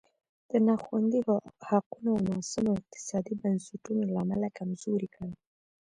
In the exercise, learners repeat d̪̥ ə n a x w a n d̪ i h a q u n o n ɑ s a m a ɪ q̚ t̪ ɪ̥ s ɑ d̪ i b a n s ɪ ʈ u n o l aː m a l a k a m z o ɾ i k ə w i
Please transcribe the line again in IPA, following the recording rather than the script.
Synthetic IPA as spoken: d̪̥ ə n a x w a n d̪ i h a q u n o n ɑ s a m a ɪ q̚ t̪ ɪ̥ s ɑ d̪ i b a n s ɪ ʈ u n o l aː m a l a k a m z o ɾ i k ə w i